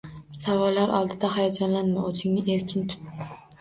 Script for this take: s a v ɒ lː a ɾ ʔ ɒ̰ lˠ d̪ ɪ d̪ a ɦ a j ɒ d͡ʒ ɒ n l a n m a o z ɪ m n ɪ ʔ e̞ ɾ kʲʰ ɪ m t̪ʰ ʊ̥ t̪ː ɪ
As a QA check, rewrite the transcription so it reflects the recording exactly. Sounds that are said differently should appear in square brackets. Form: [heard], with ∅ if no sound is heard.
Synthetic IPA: s a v ɒ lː a ɾ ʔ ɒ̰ lˠ d̪ ɪ d̪ a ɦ a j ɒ d͡ʒ ɒ n l a n m a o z ɪ [ŋ] n ɪ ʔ e̞ ɾ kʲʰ ɪ [n] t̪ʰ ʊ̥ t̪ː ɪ